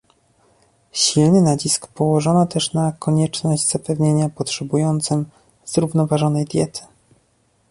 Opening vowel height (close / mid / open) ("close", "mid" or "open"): close